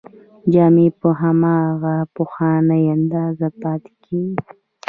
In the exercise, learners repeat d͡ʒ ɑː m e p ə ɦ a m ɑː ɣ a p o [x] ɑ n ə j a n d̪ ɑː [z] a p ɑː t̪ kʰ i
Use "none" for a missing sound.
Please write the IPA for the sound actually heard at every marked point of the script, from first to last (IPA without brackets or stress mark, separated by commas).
x, z